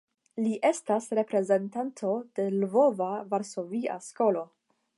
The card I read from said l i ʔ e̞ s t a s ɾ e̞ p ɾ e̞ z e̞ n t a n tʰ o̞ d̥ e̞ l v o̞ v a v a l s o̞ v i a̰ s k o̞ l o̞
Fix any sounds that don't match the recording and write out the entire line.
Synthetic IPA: l i ʔ e̞ s t a s ɾ e̞ p ɾ e̞ z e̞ n t a n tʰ o̞ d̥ e̞ l v o̞ v a v a ɾ s o̞ v i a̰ s k o̞ l o̞